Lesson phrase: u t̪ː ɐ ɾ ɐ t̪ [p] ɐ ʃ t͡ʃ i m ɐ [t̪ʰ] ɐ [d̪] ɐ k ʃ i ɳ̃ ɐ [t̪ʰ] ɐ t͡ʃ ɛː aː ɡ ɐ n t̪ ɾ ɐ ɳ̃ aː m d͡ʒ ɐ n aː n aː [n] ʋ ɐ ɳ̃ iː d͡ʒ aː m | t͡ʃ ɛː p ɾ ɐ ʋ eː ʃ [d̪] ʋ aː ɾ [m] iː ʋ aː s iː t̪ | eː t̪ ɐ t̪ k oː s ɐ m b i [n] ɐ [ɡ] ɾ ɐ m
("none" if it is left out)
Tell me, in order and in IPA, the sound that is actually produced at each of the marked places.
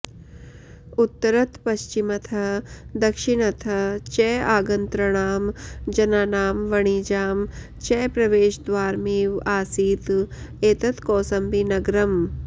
p, t̪ʰ, d̪, t̪ʰ, m, d̪, m, n, ɡ

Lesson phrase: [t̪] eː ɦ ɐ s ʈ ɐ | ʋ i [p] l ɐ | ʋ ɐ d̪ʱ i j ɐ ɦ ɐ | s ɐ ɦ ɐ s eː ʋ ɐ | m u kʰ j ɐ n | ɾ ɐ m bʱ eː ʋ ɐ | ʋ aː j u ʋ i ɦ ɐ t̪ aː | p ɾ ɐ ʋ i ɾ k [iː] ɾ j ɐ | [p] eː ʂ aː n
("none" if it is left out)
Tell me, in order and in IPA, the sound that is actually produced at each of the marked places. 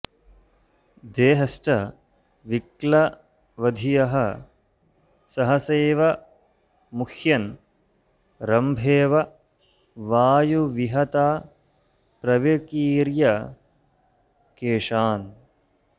d̪, k, iː, k

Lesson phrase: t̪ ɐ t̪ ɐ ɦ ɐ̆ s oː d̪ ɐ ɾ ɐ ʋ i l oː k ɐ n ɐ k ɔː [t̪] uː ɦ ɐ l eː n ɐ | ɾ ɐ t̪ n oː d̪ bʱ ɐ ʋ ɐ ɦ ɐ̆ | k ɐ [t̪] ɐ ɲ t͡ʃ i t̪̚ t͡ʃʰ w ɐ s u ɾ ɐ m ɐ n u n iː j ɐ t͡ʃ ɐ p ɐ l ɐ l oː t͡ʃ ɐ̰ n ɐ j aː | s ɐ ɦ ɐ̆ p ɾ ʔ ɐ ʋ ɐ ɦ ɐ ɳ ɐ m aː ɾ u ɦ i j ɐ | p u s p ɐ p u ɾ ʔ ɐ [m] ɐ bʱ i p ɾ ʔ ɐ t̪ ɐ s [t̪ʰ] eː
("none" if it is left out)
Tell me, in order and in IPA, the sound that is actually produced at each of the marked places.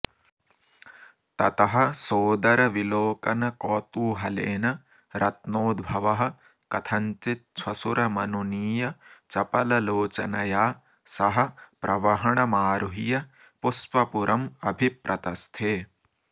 t̪, t̪ʰ, m, t̪ʰ

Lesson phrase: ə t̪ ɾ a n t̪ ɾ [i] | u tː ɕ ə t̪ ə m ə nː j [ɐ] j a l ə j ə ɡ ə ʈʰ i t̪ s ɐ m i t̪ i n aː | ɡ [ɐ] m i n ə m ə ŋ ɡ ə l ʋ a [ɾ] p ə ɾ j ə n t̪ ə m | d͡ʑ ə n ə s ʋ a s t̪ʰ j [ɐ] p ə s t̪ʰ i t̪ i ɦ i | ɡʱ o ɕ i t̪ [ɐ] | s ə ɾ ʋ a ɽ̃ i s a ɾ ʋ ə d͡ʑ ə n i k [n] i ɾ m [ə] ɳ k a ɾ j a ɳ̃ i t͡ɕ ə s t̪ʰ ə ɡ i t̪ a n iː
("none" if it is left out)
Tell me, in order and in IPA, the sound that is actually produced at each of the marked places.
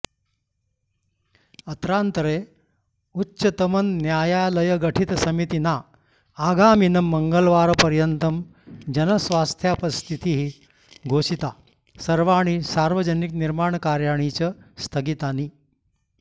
e, a, a, ɾ, a, a, n, a

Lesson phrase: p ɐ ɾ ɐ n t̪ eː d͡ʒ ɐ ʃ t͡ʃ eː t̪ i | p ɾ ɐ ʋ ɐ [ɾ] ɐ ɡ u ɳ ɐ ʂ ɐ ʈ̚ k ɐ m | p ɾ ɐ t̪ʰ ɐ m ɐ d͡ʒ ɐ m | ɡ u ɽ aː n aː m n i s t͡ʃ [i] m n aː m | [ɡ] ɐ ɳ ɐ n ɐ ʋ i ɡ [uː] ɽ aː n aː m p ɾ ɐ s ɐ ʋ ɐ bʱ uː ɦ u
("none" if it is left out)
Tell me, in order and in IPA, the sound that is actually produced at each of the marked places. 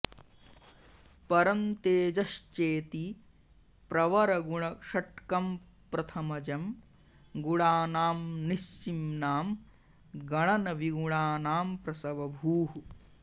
ɾ, i, ɡ, u

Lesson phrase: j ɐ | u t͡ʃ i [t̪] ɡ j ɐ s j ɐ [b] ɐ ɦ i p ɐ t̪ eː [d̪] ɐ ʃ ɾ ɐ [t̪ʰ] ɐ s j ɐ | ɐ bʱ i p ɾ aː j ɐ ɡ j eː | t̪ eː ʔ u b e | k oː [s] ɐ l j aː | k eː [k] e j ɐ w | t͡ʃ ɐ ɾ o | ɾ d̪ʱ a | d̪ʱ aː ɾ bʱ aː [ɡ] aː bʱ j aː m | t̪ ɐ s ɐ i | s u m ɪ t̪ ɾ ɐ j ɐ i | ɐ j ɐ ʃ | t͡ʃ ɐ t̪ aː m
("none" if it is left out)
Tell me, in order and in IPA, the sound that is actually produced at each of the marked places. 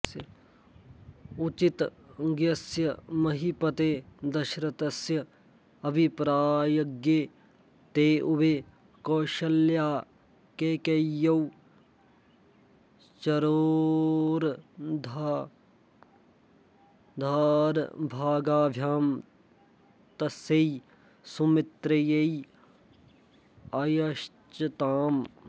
t̪, m, d̪, t̪, ʃ, k, ɡ

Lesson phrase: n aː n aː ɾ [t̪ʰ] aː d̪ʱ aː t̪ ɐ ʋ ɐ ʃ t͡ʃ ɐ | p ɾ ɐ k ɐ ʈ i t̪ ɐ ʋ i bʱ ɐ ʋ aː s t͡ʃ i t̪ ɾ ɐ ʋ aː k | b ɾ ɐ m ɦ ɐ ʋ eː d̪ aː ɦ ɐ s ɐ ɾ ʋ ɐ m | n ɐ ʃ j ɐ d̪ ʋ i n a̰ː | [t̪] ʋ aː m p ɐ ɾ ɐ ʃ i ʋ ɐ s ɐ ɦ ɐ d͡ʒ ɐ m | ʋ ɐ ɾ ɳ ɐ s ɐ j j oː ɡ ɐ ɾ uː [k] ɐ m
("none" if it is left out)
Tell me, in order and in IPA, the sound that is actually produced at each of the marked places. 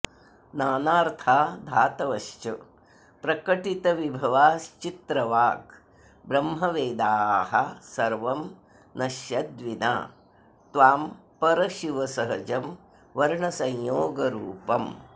t̪ʰ, t̪, p

